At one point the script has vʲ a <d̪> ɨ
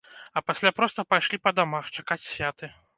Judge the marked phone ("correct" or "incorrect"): incorrect